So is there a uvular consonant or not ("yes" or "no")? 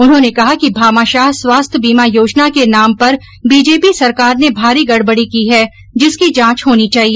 no